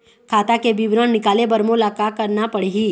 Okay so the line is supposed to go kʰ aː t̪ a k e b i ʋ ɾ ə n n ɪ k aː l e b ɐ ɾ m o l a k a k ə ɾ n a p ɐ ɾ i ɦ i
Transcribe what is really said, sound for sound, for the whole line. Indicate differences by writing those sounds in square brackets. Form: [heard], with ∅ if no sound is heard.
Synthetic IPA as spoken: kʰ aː t̪ a k e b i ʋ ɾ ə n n ɪ k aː l e b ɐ ɾ m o l a k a k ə ɾ n a p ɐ [ɽ] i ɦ i